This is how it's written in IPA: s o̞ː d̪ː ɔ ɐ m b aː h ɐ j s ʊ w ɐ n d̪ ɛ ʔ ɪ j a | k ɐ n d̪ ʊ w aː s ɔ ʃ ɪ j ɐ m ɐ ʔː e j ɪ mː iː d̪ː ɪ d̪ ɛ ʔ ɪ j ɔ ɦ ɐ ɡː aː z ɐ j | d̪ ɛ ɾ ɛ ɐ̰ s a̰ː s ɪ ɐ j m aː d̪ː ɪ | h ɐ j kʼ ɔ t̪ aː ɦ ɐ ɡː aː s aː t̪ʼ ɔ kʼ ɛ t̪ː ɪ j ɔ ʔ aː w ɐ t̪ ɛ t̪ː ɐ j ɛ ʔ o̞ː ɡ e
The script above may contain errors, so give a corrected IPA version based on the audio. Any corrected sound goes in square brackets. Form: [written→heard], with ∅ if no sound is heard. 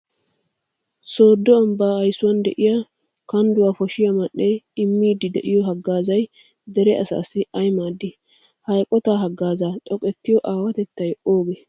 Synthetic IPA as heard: s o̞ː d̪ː ɔ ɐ m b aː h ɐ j s ʊ w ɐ n d̪ ɛ ʔ ɪ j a | k ɐ n d̪ ʊ w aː [s→f] ɔ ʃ ɪ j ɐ m ɐ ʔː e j ɪ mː iː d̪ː ɪ d̪ ɛ ʔ ɪ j ɔ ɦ ɐ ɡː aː z ɐ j | d̪ ɛ ɾ ɛ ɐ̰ s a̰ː s ɪ ɐ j m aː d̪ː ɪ | h ɐ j kʼ ɔ t̪ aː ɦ ɐ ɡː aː [s→z] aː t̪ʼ ɔ kʼ ɛ t̪ː ɪ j ɔ ʔ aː w ɐ t̪ ɛ t̪ː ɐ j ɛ ʔ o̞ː ɡ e